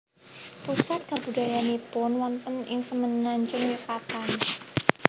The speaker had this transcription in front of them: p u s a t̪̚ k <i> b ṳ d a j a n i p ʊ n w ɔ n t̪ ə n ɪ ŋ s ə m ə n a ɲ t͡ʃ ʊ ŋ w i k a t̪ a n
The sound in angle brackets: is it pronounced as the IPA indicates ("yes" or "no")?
no